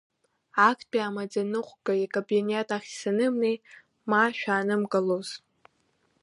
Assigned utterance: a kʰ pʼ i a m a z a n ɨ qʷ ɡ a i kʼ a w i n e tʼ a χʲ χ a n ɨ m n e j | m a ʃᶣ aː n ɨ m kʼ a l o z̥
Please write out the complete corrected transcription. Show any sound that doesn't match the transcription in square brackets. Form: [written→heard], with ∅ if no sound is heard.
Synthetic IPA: a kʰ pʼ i a m a [z→d͡z] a n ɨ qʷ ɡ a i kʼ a [w→b] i n e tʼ a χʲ [χ→s] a n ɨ m n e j | m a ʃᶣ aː n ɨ m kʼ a l o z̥